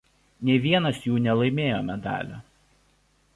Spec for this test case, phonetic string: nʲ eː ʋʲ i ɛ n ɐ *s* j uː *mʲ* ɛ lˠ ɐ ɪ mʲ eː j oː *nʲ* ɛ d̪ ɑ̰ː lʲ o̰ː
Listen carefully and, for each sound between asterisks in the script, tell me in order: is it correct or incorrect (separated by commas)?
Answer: correct, incorrect, incorrect